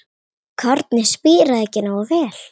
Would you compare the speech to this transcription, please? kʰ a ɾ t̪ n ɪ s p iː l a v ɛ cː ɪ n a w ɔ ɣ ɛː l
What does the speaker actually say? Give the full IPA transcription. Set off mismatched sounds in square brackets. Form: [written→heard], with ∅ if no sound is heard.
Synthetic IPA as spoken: kʰ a ɾ t̪ n ɪ s p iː [l→ɾ] a [v→ð] ɛ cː ɪ n a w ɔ [ɣ→v] ɛː l